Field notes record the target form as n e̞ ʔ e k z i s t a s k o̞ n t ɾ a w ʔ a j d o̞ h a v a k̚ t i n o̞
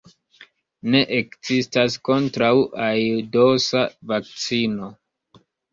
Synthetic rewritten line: n e̞ ʔ e k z i s t a s k o̞ n t ɾ a w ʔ a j d o̞ s a v a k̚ t͡s i n o̞

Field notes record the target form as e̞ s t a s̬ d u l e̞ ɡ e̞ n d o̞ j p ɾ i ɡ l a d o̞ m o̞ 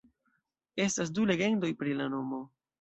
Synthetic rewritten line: e̞ s t a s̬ d u l e̞ ɡ e̞ n d o̞ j p ɾ i l a n o̞ m o̞

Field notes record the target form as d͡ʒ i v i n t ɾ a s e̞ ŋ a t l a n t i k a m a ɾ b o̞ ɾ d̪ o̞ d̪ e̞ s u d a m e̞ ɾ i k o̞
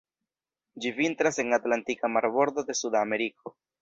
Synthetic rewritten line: d͡ʒ i v i n t ɾ a s e̞ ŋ a t l a n t i k a m a ɾ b o̞ ɾ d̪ o̞ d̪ e̞ s u d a m e̞ ɾ i k o̞

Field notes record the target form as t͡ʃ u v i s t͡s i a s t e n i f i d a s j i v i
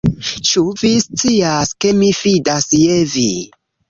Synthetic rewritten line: t͡ʃ u v i s t͡s i a s k e m i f i d a s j e v i

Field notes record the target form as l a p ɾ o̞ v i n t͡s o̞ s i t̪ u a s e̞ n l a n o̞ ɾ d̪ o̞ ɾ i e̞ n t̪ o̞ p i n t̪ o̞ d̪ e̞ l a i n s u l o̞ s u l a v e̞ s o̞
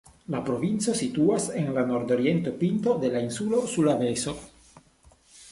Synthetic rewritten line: l a p ɾ o̞ v i n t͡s o̞ s i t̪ u a s e̞ n l a n o̞ ɾ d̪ o̞ ɾ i e̞ n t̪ o̞ p i n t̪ o̞ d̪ e̞ l a i n s u l o̞ s u l a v e̞ s o̞

